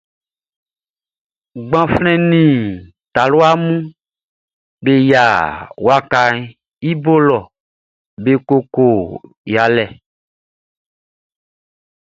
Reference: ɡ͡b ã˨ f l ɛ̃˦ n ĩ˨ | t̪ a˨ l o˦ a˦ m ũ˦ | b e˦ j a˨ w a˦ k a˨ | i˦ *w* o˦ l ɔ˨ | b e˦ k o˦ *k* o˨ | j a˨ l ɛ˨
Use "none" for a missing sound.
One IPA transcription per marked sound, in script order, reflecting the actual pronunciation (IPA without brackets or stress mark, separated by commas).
b, k